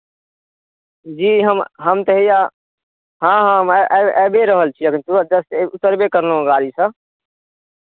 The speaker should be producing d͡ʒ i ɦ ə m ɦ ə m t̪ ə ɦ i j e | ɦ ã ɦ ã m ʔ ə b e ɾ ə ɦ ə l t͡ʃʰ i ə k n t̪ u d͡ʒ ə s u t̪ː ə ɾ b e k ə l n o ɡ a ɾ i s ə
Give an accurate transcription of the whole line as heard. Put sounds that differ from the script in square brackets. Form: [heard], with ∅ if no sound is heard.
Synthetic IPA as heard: d͡ʒ i ɦ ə m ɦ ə m t̪ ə ɦ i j [a] | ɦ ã ɦ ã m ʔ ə b e ɾ ə ɦ ə l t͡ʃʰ i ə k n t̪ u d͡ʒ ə s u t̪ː ə ɾ b e k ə [ɾ] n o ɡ a ɾ i s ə